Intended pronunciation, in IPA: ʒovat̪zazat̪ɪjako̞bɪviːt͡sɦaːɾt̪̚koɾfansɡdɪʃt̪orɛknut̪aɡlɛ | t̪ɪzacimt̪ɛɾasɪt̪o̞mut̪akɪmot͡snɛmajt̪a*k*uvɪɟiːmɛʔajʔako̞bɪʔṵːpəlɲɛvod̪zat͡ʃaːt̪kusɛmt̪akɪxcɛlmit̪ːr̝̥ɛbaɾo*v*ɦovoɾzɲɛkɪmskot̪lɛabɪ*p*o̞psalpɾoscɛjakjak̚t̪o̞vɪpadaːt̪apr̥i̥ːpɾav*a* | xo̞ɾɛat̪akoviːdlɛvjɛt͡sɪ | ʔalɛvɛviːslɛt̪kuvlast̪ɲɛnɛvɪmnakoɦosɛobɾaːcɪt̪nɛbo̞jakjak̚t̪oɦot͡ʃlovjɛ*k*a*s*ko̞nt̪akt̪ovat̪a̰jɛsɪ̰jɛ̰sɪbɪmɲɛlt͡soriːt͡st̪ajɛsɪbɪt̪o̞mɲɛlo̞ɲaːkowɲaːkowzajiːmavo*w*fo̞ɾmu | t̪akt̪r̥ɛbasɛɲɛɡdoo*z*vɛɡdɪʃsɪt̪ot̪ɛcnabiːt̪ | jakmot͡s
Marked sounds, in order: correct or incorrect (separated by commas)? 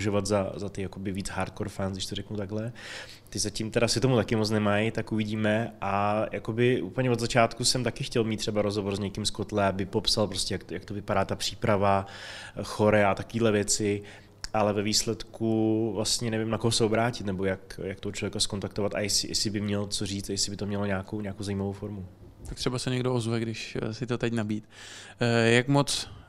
correct, incorrect, correct, correct, correct, correct, correct, correct